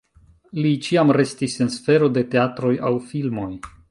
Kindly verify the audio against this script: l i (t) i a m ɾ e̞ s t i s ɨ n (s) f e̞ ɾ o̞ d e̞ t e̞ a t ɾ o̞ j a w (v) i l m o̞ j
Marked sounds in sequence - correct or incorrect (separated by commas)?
incorrect, correct, incorrect